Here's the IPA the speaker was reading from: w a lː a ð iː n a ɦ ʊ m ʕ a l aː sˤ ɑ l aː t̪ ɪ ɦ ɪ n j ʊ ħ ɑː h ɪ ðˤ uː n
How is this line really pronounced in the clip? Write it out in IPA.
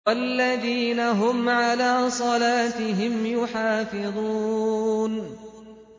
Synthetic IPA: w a lː a ð iː n a ɦ ʊ m ʕ a l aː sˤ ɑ l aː t̪ ɪ ɦ ɪ m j ʊ ħ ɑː f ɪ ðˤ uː n